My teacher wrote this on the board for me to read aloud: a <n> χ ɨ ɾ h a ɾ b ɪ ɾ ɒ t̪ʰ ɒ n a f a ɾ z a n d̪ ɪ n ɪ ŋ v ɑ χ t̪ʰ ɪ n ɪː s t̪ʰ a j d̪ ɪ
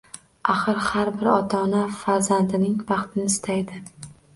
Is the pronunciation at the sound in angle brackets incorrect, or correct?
incorrect